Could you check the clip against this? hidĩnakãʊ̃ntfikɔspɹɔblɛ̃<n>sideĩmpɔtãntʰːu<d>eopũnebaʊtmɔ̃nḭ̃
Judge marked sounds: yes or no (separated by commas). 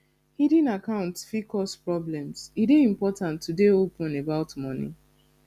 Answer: no, yes